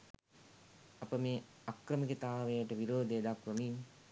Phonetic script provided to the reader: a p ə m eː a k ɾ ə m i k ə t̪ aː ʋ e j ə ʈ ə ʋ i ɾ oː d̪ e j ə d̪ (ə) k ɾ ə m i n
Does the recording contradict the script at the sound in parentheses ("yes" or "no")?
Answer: yes